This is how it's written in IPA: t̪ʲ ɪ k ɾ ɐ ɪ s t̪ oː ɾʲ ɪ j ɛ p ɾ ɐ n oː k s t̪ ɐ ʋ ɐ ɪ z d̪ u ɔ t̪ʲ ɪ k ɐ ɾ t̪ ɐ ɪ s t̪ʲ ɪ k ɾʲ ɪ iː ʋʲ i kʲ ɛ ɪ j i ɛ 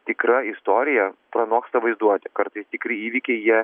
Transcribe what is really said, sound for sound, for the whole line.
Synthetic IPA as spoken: t̪ʲ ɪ k ɾ ɐ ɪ s t̪ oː ɾʲ ɪ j ɛ p ɾ ɐ n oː k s t̪ ɐ ʋ ɐ ɪ z d̪ u ɔ t̪ʲ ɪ k ɐ ɾ t̪ ɐ ɪ s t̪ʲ ɪ k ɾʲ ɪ iː ʋʲ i kʲ ɛ ɪ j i ɛ

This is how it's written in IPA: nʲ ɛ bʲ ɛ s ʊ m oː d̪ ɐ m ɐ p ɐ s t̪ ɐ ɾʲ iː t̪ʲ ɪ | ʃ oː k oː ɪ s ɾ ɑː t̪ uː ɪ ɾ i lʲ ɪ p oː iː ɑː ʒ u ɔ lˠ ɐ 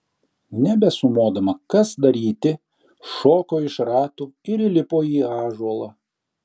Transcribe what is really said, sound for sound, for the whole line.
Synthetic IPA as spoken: nʲ ɛ bʲ ɛ s ʊ m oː d̪ ɐ m ɐ k ɐ s d̪ ɐ ɾʲ iː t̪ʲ ɪ | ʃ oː k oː ɪ ʃ ɾ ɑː t̪ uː ɪ ɾ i lʲ ɪ p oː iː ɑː ʒ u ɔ lˠ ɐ

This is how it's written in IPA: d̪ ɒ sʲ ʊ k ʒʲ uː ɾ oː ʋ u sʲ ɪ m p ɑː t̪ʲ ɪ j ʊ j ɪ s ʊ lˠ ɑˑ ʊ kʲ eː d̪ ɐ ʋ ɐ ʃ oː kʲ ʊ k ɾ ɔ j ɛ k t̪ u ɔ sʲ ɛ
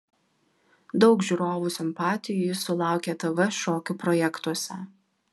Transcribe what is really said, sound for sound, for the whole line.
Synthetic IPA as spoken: d̪ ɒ ʊ k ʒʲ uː ɾ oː ʋ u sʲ ɪ m p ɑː t̪ʲ ɪ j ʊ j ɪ s ʊ lˠ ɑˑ ʊ kʲ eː t̪ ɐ ʋ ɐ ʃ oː kʲ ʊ p ɾ ɔ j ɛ k t̪ u ɔ sʲ ɛ

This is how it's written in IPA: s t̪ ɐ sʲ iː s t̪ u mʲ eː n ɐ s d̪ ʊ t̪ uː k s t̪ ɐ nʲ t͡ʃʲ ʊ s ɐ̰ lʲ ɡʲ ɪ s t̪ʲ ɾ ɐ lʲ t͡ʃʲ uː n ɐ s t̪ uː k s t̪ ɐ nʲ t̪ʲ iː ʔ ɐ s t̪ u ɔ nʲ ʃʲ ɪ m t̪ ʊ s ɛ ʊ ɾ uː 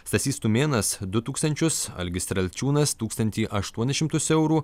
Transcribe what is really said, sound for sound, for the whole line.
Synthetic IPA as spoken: s t̪ ɐ sʲ iː s t̪ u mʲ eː n ɐ s d̪ ʊ t̪ uː k s t̪ ɐ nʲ t͡ʃʲ ʊ s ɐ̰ lʲ ɡʲ ɪ s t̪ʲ ɾ ɐ lʲ t͡ʃʲ uː n ɐ s t̪ uː k s t̪ ɐ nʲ t̪ʲ iː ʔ ɐ ʃ t̪ u ɔ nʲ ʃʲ ɪ m t̪ ʊ s ɛ ʊ ɾ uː

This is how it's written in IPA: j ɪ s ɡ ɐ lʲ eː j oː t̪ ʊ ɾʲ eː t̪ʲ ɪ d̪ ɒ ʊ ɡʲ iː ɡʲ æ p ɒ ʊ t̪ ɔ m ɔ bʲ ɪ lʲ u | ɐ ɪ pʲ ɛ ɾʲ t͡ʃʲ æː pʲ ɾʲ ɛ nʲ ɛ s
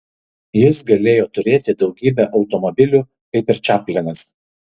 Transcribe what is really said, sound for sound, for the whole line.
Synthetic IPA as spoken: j ɪ s ɡ ɐ lʲ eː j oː t̪ ʊ ɾʲ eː t̪ʲ ɪ d̪ ɒ ʊ ɡʲ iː bʲ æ ʔ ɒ ʊ t̪ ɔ m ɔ bʲ ɪ lʲ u | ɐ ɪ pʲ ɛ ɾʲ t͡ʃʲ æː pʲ lʲ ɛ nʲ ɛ s

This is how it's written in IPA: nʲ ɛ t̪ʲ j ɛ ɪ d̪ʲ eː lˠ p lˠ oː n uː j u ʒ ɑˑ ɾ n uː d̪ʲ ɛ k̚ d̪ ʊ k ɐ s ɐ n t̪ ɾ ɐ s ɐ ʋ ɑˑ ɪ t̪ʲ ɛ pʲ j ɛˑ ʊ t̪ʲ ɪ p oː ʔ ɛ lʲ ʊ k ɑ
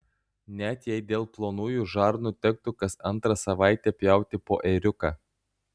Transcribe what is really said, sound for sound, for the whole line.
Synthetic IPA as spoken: nʲ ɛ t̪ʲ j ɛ ɪ d̪ʲ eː lˠ p lˠ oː n uː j u ʒ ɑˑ ɾ n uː t̪ʲ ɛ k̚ t̪ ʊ k ɐ s ɐ n t̪ ɾ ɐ s ɐ ʋ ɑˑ ɪ t̪ʲ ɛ pʲ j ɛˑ ʊ t̪ʲ ɪ p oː ʔ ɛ ɾʲ ʊ k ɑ

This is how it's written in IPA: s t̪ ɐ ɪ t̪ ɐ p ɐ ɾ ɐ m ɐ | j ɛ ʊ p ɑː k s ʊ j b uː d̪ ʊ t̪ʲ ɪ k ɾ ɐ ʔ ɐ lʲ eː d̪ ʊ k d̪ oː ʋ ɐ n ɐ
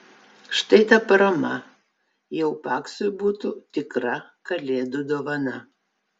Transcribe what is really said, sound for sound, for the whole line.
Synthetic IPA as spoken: ʃ t̪ ɐ ɪ t̪ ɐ p ɐ ɾ ɐ m ɐ | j ɛ ʊ p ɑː k s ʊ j b uː t̪ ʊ t̪ʲ ɪ k ɾ ɐ k ɐ lʲ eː d̪ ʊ d̪ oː ʋ ɐ n ɐ

